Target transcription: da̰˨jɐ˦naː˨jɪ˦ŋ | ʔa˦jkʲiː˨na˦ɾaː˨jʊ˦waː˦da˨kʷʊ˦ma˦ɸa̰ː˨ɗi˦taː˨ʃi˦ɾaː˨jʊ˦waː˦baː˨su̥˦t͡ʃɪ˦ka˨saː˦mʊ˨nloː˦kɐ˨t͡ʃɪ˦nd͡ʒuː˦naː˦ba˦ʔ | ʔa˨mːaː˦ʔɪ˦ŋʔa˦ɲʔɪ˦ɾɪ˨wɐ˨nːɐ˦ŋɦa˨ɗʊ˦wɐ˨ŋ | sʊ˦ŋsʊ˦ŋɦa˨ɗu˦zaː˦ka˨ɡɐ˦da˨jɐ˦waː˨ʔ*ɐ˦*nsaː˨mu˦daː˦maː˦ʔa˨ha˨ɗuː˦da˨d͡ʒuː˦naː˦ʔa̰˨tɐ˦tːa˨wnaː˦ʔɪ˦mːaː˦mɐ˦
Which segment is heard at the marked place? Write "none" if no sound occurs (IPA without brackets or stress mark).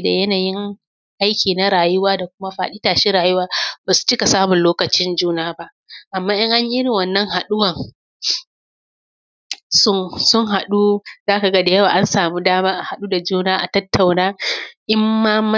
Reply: a˦